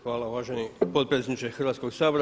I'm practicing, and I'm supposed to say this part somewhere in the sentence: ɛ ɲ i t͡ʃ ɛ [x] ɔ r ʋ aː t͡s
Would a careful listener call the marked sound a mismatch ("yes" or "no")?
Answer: no